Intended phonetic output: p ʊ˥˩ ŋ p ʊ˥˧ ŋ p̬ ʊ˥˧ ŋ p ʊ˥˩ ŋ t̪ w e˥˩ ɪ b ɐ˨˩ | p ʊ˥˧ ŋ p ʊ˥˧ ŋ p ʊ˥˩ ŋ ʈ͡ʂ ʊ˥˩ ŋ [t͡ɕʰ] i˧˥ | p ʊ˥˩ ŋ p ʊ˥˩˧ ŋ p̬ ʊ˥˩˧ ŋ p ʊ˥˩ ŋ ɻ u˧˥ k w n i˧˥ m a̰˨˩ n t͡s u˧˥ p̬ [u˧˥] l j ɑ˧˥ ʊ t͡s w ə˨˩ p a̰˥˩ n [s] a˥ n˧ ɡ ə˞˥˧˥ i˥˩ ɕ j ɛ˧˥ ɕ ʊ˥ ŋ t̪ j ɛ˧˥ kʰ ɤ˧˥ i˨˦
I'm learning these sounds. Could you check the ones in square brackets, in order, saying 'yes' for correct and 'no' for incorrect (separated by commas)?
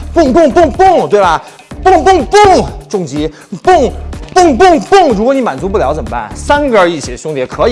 no, no, yes